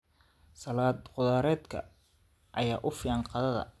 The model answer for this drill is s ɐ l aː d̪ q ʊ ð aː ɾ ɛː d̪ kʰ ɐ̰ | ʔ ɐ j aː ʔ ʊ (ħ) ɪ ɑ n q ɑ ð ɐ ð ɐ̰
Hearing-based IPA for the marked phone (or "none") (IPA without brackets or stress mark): f